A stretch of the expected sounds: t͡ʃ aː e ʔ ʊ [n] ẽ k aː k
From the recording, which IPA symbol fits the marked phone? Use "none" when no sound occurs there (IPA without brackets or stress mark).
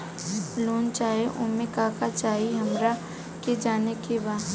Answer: m